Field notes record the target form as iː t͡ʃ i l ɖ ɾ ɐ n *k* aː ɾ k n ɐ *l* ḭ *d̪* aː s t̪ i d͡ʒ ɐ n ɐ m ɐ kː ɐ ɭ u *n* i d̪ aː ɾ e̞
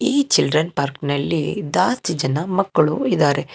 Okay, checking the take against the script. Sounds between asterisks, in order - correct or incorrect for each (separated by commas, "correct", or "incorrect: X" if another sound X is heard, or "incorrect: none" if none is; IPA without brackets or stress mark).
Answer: incorrect: p, incorrect: lː, correct, incorrect: none